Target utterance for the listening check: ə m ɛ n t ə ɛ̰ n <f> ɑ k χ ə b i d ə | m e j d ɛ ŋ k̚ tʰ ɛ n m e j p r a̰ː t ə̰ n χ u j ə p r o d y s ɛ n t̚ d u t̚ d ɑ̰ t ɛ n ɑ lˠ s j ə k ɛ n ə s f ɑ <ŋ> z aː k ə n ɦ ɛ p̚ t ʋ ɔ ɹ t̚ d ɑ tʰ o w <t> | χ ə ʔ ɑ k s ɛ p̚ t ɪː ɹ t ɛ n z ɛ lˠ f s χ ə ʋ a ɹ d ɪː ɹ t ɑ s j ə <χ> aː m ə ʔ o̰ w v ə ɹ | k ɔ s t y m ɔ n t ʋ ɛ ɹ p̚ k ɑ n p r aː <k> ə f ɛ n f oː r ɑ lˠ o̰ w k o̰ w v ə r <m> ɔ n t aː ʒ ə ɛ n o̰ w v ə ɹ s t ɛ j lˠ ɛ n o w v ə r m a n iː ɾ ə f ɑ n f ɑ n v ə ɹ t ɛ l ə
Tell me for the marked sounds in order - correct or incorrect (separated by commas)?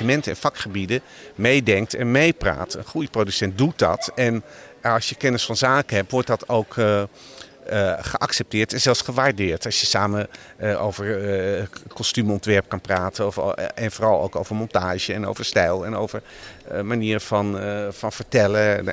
correct, incorrect, incorrect, incorrect, incorrect, correct